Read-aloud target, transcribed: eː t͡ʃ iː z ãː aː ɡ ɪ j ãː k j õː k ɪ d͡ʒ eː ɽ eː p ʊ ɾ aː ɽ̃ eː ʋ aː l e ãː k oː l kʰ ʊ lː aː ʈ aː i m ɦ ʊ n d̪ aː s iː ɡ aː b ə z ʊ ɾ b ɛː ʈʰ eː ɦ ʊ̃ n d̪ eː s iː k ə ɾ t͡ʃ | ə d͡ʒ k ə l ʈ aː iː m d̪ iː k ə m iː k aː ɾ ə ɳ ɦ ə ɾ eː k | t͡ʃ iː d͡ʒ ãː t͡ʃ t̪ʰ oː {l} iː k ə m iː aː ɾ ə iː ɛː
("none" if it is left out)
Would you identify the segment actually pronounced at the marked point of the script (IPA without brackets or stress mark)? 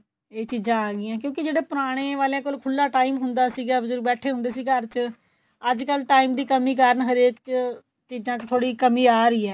ɽ